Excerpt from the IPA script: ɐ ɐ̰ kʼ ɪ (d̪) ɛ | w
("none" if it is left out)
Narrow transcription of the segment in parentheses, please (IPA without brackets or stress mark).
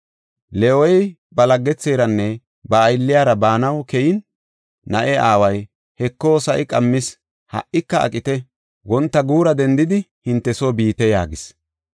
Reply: t̪